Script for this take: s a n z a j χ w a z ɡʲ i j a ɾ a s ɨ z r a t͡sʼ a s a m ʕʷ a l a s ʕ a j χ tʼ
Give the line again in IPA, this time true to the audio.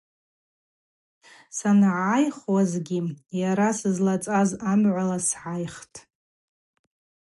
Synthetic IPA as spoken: s a n ʕ a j χ w a z ɡʲ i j a ɾ a s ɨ z l a t͡sʼ a z a m ʕʷ a l a s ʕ a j χ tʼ